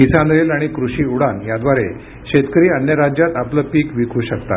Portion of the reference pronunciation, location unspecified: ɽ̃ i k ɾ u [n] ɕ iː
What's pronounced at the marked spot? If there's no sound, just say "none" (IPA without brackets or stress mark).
none